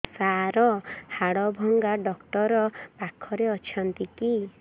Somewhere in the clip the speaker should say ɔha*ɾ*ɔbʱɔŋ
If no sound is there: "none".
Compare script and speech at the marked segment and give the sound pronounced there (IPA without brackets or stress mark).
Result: ɽ